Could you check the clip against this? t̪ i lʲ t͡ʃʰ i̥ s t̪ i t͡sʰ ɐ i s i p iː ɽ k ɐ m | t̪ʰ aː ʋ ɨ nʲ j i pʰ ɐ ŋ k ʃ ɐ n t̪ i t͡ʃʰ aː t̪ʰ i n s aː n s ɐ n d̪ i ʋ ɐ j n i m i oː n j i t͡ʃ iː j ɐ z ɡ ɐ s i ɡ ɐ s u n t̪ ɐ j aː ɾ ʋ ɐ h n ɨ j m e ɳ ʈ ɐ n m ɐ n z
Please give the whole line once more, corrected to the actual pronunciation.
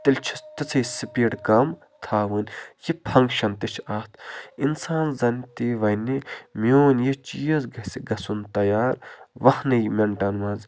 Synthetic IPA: t̪ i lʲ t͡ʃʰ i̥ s t̪ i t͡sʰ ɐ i s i p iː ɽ k ɐ m | t̪ʰ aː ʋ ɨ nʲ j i pʰ ɐ ŋ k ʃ ɐ n t̪ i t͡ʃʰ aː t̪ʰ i n s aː n z ɐ n t̪ i ʋ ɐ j n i m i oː n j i t͡ʃ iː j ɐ z ɡ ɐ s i ɡ ɐ s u n t̪ ɐ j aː ɾ ʋ ɐ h n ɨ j m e ɳ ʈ ɐ n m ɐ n z